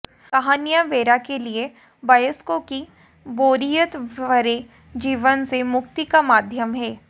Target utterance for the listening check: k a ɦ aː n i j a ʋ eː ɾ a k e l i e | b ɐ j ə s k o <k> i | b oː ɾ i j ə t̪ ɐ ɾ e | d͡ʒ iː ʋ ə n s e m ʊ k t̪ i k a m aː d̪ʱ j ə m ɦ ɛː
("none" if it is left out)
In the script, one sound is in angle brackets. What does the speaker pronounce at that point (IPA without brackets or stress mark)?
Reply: k